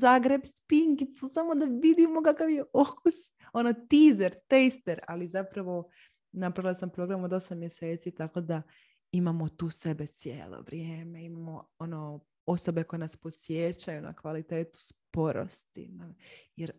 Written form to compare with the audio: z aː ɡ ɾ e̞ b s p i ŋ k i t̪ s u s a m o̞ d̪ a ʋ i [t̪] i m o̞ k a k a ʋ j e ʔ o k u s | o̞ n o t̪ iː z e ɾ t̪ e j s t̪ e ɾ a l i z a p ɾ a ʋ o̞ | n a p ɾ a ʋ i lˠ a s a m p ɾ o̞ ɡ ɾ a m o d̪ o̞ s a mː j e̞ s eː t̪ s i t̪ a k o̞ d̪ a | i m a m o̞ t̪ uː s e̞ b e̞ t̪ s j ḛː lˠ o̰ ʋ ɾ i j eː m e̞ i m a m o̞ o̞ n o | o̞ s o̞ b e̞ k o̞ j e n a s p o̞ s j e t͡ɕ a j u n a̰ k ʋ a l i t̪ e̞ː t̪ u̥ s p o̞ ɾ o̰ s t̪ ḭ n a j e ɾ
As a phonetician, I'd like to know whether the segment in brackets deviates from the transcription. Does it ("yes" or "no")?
yes